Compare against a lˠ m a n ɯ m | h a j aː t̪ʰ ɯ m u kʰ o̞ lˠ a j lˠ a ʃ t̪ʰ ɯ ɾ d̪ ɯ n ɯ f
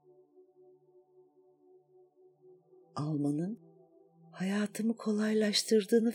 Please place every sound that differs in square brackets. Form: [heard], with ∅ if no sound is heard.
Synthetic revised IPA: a lˠ m a n ɯ [n] | h a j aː t̪ʰ ɯ m [ɯ] kʰ o̞ lˠ a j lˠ a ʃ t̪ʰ ɯ ɾ d̪ [ɯː] n ɯ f